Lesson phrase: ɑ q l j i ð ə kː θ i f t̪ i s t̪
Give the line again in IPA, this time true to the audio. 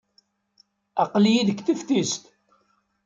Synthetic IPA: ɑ q l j i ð ə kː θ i f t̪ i s t̪